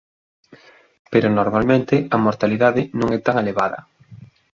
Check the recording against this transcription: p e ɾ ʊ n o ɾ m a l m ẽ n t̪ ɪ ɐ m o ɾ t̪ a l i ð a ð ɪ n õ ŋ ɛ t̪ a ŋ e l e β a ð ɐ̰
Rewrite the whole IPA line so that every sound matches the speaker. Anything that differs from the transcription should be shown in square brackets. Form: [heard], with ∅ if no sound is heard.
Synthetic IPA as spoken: p e ɾ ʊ n o ɾ m a l m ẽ n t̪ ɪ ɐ m o ɾ t̪ a l i ð a ð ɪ n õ ŋ ɛ t̪ a ŋ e l e β a ð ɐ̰